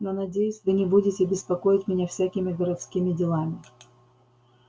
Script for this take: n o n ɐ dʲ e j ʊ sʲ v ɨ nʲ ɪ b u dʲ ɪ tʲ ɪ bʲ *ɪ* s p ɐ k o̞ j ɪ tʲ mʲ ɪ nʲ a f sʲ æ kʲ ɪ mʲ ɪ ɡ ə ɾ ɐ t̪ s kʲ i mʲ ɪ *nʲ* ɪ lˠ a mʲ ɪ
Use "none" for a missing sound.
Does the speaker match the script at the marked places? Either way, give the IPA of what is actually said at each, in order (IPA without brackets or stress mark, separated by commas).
ɪ, dʲ